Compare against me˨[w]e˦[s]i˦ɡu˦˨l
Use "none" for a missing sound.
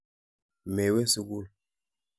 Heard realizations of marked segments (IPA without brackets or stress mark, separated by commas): w, s